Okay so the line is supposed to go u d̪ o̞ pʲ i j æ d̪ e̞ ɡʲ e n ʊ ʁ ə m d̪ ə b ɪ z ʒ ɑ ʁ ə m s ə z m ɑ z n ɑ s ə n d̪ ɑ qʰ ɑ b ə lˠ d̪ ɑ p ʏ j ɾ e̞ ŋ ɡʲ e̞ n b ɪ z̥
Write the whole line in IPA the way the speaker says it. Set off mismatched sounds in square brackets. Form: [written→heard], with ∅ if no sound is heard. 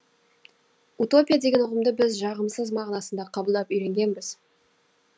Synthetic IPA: u [d̪→t̪] o̞ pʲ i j [æ→a] d̪ e̞ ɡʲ e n ʊ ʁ ə m d̪ ə b ɪ z ʒ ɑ ʁ ə m s ə z m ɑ [z→ʁ] n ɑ s ə n d̪ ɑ qʰ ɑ b ə lˠ d̪ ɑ p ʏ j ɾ e̞ ŋ ɡʲ e̞ n b ɪ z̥